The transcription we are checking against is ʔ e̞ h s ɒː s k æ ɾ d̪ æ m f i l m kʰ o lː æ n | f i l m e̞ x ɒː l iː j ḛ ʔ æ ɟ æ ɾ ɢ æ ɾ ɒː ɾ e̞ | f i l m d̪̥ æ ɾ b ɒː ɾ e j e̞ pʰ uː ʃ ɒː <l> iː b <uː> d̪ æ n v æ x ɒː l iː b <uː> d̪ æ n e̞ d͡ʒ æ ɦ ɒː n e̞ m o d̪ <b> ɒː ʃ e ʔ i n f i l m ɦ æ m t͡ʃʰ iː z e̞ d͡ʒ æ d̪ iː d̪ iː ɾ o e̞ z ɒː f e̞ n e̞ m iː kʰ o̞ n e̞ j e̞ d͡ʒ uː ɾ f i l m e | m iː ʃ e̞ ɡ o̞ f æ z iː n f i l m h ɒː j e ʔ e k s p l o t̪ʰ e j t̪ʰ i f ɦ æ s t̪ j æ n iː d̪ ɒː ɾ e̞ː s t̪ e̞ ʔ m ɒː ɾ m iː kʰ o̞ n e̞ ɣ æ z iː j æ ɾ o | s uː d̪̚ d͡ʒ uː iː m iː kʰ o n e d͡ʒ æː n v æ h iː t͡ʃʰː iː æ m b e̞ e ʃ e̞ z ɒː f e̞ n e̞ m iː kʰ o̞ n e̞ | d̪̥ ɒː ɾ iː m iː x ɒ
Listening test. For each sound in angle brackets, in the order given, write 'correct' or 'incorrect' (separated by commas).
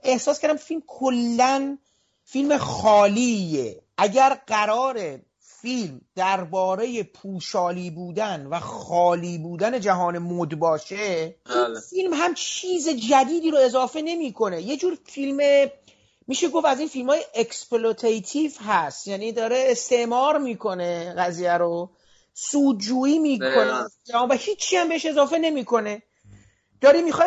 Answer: correct, correct, correct, correct